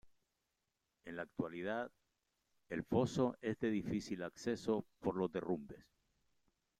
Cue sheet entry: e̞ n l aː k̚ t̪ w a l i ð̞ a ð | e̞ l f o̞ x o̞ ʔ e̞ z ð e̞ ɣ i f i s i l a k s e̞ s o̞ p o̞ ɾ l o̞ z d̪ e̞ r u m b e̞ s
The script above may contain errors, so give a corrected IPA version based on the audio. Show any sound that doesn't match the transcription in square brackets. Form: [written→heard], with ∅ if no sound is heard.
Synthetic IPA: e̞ n l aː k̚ t̪ w a l i ð̞ a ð | e̞ l f o̞ [x→s] o̞ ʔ e̞ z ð e̞ [ɣ→ð] i f i s i l a k s e̞ s o̞ p o̞ ɾ l o̞ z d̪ e̞ r u m b e̞ s